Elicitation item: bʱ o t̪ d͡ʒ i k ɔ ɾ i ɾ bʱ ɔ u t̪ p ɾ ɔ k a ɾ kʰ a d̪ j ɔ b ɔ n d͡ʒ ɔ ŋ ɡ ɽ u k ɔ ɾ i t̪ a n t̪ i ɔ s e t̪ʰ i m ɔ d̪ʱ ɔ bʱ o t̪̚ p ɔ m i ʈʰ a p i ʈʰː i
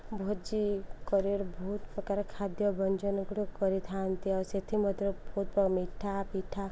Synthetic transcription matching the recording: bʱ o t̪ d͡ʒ i k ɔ ɾ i ɾ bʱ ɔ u t̪ p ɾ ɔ k a ɾ kʰ a d̪ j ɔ b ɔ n d͡ʒ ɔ n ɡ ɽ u k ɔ ɾ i t̪ʰ a n t̪ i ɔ s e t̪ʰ i m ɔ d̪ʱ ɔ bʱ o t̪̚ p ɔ m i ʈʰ a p i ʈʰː a